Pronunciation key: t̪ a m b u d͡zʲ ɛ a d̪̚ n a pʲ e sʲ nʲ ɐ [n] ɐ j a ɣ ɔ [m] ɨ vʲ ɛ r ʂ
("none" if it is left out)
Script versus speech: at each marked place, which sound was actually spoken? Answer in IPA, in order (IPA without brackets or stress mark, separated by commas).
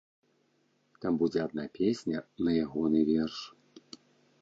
n, n